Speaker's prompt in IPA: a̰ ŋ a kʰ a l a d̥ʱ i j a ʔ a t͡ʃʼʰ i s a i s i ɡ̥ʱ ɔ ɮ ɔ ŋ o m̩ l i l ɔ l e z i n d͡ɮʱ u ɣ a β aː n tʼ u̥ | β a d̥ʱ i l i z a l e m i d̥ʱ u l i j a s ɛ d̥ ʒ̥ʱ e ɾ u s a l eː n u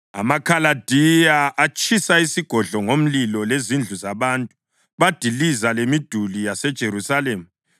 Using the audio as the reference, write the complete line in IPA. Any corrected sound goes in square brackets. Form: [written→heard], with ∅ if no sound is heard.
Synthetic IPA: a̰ [ŋ→m] a kʰ a l a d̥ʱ i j a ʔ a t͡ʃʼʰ i s a i s i ɡ̥ʱ ɔ ɮ ɔ ŋ o m̩ l i l ɔ l e z i n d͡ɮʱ u [ɣ→z] a β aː n tʼ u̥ | β a d̥ʱ i l i z a l e m i d̥ʱ u l i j a s ɛ d̥ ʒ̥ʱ e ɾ u s a l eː [n→m] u